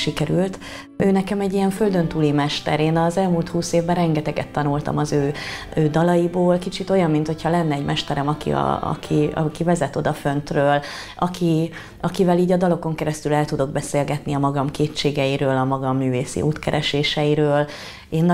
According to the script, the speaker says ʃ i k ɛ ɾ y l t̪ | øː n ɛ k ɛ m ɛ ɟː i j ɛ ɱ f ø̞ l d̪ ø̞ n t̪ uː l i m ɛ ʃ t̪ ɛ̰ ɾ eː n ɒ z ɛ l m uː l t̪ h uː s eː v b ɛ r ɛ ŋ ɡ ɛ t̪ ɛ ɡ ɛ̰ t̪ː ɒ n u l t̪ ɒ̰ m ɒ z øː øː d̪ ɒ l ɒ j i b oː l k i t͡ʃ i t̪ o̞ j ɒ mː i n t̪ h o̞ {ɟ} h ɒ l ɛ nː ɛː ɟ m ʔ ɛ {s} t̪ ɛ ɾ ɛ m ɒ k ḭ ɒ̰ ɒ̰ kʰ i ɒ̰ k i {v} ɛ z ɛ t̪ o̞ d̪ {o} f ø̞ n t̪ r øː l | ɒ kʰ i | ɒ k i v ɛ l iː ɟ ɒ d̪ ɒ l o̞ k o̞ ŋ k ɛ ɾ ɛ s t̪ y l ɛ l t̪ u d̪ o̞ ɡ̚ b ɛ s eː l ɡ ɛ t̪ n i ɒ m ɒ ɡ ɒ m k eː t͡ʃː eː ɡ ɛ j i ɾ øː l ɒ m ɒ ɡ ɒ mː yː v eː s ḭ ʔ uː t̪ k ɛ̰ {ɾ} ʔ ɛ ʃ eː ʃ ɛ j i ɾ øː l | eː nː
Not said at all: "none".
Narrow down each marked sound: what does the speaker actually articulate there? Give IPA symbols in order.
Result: c, ʃ, v, ɒ, ɾ

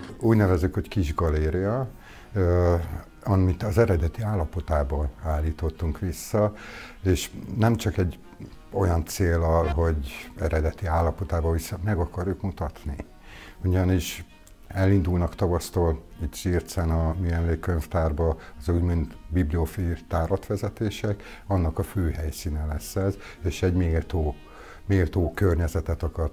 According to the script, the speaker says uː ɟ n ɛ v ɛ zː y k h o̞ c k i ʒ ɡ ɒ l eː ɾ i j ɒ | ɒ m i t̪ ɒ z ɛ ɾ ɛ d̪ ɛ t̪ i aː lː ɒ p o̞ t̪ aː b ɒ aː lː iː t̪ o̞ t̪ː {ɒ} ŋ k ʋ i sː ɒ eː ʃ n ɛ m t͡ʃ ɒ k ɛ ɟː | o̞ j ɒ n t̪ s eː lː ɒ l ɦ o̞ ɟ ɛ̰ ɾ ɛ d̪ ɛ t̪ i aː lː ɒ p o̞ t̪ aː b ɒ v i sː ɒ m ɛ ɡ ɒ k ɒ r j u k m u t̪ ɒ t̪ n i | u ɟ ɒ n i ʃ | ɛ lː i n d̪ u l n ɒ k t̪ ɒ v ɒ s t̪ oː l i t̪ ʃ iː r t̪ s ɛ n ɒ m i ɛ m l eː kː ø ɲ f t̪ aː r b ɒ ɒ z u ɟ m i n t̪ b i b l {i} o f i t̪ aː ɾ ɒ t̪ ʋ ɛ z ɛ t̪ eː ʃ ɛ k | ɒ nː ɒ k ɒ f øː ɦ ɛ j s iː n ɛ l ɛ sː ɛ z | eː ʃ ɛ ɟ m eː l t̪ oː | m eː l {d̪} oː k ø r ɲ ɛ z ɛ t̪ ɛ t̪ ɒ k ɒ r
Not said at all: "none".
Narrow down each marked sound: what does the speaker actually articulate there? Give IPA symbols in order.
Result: u, i, t̪

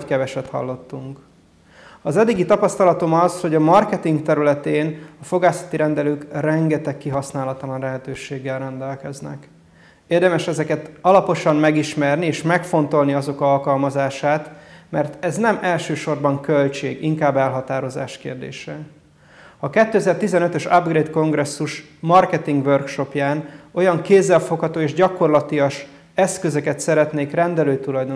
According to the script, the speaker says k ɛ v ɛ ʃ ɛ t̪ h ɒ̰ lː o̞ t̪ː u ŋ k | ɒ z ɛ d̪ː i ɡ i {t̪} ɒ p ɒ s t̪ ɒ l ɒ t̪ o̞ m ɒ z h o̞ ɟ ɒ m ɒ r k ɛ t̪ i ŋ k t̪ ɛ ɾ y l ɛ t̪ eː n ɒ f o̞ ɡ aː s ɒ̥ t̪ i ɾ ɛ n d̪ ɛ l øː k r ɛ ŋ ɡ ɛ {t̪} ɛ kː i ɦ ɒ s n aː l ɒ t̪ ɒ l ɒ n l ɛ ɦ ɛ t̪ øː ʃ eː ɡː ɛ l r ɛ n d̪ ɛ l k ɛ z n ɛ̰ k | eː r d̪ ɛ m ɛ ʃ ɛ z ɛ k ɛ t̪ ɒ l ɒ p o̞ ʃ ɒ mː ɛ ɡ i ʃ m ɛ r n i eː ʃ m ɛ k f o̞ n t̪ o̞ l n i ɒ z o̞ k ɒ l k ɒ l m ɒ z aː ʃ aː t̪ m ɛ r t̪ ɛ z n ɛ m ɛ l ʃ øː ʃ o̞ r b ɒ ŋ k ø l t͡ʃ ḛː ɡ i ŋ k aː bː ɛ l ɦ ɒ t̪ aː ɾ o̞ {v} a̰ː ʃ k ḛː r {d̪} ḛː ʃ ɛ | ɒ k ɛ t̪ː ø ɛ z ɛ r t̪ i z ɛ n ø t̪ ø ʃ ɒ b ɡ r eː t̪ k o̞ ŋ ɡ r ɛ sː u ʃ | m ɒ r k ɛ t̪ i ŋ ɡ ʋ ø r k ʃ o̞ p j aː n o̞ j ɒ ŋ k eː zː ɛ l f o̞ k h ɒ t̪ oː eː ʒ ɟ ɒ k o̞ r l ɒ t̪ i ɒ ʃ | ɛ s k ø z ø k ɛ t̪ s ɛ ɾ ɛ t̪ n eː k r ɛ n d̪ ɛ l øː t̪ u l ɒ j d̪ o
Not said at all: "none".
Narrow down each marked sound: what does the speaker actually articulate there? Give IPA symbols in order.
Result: t̪, t̪, z, d̪

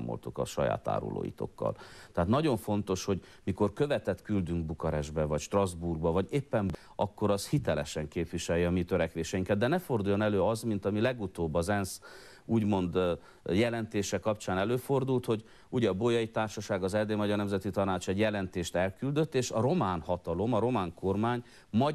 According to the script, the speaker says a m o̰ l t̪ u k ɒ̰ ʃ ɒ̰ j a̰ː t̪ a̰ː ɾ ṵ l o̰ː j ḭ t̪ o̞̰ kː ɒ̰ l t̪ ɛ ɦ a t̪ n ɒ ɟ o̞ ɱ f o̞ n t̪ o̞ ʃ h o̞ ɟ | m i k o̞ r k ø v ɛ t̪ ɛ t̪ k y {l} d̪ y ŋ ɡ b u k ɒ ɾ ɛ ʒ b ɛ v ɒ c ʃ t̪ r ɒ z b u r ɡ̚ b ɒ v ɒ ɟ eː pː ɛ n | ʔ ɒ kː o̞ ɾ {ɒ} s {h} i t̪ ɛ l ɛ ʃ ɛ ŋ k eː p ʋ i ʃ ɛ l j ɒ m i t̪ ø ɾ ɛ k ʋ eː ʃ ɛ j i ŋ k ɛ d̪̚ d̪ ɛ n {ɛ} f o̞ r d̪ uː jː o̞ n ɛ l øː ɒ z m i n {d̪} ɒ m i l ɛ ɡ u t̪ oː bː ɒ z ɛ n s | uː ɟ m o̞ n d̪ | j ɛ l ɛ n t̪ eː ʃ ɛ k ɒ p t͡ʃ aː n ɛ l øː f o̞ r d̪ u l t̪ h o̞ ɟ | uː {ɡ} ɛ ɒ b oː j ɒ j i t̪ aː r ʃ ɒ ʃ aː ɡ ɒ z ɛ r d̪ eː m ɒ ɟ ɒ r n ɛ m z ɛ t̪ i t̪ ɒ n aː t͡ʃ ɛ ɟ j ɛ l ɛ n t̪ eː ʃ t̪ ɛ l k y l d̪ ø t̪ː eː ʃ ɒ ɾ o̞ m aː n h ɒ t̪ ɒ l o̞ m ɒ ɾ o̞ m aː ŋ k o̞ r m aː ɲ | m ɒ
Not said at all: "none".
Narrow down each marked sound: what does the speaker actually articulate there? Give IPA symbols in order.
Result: l, ɒ, h, ɛ, t̪, ɟ

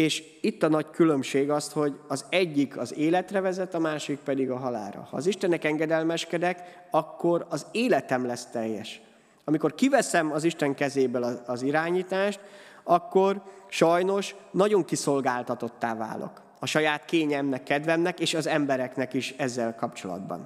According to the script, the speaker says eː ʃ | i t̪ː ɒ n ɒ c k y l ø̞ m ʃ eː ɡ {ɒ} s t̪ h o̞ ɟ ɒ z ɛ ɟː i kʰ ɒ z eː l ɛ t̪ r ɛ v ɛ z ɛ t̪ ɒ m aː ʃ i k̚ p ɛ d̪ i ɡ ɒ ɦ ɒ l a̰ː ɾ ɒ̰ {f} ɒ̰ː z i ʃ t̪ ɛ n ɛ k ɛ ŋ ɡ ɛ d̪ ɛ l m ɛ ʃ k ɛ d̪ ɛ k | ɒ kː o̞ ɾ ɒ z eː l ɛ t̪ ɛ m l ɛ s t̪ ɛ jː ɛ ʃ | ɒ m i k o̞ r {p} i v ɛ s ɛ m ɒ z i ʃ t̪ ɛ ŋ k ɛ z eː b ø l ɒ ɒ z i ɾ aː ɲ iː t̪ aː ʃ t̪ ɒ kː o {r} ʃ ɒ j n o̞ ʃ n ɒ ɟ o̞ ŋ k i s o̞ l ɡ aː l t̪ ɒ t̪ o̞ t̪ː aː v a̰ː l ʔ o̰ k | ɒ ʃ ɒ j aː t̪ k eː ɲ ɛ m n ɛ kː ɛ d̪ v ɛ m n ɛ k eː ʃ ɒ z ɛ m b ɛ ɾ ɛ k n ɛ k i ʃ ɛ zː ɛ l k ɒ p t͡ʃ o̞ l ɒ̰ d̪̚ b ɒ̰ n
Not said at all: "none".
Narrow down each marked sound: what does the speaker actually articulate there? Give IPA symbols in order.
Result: ɒ, h, k, r

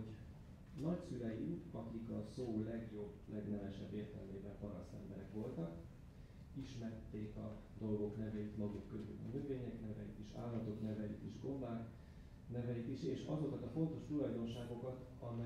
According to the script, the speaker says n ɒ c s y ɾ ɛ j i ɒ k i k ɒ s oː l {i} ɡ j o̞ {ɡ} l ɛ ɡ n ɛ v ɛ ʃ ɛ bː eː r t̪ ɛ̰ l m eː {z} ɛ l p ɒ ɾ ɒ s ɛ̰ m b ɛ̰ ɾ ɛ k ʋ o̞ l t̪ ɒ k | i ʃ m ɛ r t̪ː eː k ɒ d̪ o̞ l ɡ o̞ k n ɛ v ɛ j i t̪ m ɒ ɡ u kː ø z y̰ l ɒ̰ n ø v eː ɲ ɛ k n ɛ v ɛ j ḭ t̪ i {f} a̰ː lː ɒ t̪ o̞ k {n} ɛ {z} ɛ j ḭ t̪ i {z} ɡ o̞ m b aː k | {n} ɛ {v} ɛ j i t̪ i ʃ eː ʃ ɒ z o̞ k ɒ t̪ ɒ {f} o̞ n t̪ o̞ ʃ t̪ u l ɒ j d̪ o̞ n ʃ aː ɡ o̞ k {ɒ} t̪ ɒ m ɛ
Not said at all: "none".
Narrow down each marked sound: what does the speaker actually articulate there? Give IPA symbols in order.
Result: ɛ, b, v, ʃ, n, v, ʒ, n, v, f, ɒ

